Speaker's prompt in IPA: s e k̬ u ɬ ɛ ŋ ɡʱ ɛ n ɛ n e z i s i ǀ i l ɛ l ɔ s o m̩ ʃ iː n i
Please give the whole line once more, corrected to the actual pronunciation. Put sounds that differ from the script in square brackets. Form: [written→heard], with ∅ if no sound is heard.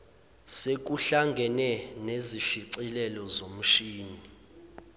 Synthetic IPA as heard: s e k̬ u ɬ [ɛ→a] ŋ ɡʱ ɛ n ɛ n e z i [s→ʃ] i ǀ i l ɛ l ɔ [s→z] o m̩ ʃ iː n i